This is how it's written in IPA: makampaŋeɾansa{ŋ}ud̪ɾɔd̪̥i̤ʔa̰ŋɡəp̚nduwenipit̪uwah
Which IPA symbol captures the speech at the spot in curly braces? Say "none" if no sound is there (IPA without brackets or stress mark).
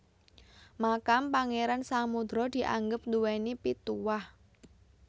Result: m